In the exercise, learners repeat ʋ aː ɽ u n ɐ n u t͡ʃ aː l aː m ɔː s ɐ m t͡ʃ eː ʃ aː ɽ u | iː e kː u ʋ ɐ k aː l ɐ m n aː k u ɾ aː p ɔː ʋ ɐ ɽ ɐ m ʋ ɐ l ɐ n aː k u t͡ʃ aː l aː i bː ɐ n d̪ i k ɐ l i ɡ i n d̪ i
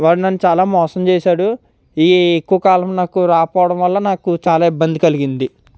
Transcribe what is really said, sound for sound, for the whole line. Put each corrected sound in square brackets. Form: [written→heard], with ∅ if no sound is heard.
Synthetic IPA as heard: ʋ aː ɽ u n ɐ [n→nː] u t͡ʃ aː l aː m ɔː s ɐ m t͡ʃ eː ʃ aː ɽ u | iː e kː u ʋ ɐ k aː l ɐ m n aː k u ɾ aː p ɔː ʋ ɐ ɽ ɐ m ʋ ɐ [l→lː] ɐ n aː k u t͡ʃ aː l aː i bː ɐ n d̪ i k ɐ l i ɡ i n d̪ i

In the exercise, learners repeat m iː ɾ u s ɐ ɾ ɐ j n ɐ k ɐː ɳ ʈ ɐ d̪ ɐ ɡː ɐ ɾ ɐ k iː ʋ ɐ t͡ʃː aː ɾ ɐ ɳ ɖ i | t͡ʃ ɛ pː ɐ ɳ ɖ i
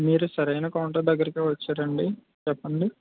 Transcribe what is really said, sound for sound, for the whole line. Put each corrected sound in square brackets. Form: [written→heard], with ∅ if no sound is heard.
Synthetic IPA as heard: m iː ɾ u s ɐ ɾ ɐ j n ɐ k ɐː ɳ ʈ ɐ d̪ ɐ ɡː ɐ ɾ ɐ k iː ʋ ɐ t͡ʃː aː ɾ ɐ ɳ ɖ i | t͡ʃ ɛ pː ɐ ɳ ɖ i

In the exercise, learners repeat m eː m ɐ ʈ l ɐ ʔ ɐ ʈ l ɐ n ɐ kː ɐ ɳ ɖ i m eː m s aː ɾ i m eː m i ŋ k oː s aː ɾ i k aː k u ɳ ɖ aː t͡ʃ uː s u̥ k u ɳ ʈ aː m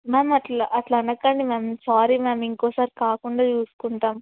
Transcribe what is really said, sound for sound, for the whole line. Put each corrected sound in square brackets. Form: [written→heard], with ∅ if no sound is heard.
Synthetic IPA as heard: m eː m ɐ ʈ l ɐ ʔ ɐ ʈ l ɐ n ɐ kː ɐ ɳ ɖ i m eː m s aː ɾ i m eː m i ŋ k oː s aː ɾ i k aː k u ɳ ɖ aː t͡ʃ uː s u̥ k u ɳ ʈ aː m

